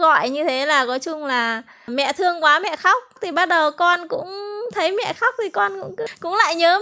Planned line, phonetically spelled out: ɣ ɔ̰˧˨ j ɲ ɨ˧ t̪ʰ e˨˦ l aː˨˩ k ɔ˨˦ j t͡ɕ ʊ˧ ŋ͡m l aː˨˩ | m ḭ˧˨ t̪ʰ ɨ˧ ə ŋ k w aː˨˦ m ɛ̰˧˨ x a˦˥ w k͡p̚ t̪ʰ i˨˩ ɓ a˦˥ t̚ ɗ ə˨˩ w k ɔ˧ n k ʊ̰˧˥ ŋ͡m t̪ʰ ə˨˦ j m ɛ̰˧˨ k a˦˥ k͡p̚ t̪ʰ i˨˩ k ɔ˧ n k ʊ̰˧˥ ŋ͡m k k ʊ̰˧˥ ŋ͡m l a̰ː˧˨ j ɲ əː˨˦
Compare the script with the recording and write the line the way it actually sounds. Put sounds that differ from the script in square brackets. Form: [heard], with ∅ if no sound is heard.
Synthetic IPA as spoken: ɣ ɔ̰˧˨ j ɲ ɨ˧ t̪ʰ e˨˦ l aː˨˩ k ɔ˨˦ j t͡ɕ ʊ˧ ŋ͡m l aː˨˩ | m [ɛ̰˧˨] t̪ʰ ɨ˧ ə ŋ k w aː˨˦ m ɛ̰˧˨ x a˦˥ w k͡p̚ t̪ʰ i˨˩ ɓ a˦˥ t̚ ɗ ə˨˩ w k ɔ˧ n k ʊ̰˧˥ ŋ͡m t̪ʰ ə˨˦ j m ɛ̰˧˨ [x] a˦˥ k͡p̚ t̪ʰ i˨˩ k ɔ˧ n k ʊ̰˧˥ ŋ͡m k k ʊ̰˧˥ ŋ͡m l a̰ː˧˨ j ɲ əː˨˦